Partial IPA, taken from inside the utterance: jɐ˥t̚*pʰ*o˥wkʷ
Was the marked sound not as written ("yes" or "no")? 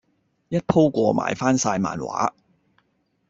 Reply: no